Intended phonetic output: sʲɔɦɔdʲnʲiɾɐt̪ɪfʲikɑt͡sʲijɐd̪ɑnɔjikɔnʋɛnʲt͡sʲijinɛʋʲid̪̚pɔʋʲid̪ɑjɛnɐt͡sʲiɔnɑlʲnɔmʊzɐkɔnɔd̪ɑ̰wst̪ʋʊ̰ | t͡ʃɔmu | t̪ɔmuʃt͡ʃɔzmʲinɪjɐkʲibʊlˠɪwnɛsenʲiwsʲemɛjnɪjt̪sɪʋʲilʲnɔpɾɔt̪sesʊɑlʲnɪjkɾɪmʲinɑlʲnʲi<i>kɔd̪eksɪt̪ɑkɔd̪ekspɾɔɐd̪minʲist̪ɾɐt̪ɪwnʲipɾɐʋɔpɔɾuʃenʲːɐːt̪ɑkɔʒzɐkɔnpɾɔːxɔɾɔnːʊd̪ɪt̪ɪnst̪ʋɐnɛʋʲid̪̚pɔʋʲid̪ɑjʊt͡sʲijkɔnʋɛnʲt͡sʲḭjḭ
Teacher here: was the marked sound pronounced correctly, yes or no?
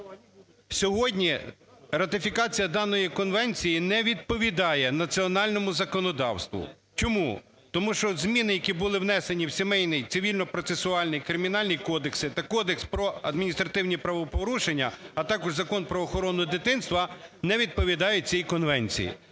no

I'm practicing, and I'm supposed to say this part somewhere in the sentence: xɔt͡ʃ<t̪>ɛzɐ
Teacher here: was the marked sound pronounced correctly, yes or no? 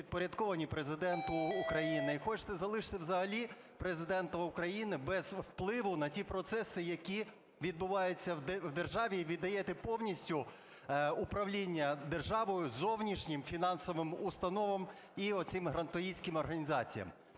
yes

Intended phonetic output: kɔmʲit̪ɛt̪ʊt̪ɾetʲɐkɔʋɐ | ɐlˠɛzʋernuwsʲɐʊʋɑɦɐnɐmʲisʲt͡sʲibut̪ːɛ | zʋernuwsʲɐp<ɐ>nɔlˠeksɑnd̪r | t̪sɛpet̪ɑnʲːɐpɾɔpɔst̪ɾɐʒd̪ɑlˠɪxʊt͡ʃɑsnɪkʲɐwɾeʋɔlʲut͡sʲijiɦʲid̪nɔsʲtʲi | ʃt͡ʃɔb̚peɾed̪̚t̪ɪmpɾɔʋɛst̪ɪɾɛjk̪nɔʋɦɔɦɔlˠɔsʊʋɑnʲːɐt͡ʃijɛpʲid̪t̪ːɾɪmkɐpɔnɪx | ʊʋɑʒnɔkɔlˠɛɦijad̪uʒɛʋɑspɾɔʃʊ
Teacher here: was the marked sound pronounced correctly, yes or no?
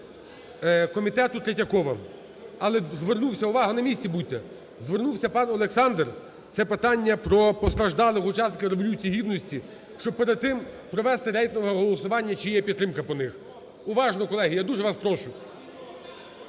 no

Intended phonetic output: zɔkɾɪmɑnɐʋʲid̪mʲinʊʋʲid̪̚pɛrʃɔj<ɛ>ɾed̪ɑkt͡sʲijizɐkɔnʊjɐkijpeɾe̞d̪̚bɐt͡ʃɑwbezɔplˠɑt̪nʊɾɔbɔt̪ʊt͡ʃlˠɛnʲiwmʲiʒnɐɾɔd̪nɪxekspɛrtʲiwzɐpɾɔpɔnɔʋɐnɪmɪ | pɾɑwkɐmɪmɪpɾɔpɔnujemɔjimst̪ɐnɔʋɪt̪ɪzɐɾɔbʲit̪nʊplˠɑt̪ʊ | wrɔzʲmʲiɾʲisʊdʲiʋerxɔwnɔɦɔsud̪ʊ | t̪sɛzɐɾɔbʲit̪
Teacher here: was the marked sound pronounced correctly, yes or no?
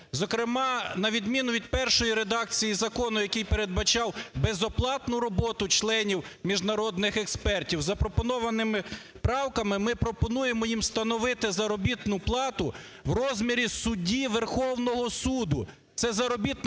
no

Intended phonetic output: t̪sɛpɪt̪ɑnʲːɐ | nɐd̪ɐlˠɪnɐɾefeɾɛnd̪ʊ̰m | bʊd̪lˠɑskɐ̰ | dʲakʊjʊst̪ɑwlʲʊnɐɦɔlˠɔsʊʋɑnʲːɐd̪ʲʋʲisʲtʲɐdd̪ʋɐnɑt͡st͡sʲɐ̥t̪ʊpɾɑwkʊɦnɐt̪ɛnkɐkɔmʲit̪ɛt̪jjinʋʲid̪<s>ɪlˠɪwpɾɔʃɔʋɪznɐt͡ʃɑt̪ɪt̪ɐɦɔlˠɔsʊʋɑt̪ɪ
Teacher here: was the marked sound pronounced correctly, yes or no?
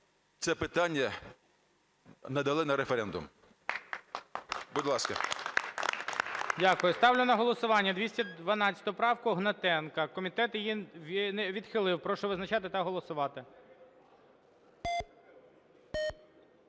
no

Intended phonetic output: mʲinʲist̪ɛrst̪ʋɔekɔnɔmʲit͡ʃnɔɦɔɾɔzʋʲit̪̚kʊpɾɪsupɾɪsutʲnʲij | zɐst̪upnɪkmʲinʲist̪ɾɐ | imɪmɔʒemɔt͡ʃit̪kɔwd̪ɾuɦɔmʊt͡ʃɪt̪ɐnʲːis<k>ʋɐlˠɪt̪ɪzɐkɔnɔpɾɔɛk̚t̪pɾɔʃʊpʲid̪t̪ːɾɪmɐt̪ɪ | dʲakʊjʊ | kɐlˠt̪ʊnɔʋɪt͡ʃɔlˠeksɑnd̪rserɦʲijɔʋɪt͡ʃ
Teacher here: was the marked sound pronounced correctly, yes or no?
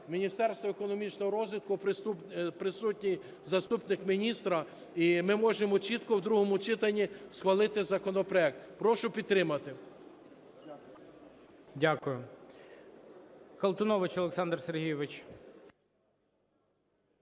no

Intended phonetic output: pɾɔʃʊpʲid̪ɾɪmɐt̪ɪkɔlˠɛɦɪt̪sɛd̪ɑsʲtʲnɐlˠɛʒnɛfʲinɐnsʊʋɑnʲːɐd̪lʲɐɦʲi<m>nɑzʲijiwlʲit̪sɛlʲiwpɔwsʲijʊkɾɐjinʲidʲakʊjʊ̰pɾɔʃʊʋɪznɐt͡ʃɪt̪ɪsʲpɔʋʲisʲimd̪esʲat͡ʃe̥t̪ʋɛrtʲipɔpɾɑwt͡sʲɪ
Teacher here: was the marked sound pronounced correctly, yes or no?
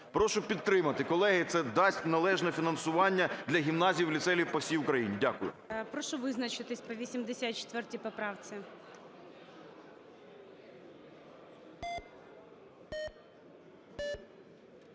yes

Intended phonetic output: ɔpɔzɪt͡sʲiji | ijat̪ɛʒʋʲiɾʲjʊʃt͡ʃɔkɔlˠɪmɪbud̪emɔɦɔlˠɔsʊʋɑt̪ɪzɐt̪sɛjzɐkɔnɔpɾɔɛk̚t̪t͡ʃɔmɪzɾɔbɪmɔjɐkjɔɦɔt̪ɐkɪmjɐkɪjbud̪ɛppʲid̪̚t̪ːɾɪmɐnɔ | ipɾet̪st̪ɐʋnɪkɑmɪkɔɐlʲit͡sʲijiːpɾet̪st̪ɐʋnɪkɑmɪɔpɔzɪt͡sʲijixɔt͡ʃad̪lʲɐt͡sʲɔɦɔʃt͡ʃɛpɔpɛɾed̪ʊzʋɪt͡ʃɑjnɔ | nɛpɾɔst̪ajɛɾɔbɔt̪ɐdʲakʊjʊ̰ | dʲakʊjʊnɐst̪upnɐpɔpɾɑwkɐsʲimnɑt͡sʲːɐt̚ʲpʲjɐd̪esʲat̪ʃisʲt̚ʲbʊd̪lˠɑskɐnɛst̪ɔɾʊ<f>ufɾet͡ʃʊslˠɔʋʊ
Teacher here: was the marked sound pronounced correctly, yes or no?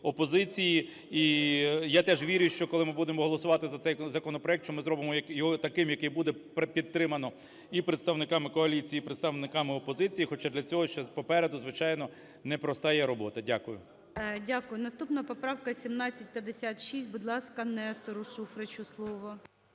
no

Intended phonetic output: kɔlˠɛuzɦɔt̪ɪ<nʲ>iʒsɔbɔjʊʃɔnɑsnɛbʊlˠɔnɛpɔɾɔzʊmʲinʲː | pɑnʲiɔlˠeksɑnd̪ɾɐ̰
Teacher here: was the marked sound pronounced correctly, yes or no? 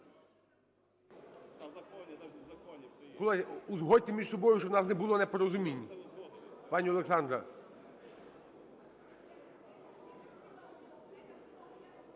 no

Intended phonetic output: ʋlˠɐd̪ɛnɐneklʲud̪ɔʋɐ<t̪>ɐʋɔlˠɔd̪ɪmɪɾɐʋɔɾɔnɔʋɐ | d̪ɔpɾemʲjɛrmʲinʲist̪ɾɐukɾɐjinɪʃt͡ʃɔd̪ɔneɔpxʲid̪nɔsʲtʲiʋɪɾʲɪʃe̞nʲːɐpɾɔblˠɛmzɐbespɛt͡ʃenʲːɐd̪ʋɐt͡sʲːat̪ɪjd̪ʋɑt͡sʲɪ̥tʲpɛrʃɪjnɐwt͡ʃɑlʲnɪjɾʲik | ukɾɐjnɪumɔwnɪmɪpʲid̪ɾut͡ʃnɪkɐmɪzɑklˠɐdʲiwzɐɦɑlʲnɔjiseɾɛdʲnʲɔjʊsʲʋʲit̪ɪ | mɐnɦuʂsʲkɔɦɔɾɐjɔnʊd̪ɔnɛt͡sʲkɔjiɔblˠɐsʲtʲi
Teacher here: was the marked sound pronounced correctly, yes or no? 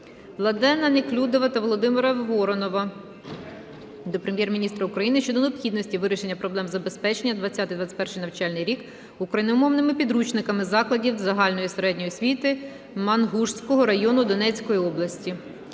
yes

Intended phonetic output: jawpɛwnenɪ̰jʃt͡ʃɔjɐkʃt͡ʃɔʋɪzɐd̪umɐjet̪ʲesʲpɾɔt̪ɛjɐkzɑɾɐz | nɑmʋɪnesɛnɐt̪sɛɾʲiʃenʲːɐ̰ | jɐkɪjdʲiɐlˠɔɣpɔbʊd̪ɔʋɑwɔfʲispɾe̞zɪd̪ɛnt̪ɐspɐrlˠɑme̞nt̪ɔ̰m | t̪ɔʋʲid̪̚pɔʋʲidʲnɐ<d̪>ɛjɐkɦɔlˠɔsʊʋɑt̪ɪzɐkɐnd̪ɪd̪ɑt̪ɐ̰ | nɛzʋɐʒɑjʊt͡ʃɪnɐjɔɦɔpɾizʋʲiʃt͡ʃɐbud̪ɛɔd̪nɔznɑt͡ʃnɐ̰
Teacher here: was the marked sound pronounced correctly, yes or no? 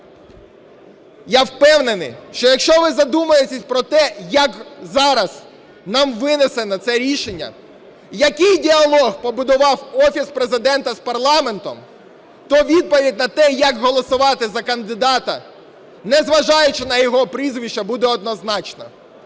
no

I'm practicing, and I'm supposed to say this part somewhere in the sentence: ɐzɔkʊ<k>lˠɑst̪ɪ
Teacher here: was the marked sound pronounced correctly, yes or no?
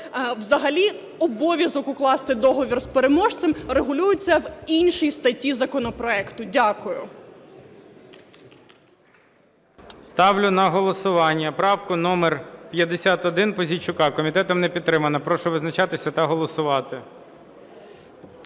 yes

